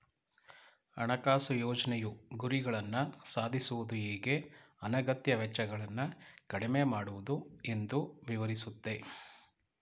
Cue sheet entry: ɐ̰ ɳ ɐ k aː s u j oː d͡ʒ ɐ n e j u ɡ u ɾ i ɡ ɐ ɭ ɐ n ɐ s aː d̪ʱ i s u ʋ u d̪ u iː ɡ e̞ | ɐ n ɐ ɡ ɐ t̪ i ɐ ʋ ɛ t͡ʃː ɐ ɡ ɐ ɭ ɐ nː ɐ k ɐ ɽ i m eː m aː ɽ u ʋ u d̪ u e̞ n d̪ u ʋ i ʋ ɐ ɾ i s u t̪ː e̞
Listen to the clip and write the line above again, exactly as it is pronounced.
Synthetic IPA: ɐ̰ ɳ ɐ k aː s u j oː d͡ʒ ɐ n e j u ɡ u ɾ i ɡ ɐ ɭ ɐ nː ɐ s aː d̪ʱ i s u ʋ u d̪ u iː ɡ e̞ | ɐ n ɐ ɡ ɐ t̪ j ɐ ʋ ɛ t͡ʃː ɐ ɡ ɐ ɭ ɐ nː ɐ k ɐ ɽ i m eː m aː ɽ u ʋ u d̪ u e̞ n d̪ u ʋ i ʋ ɐ ɾ i s u t̪ː e̞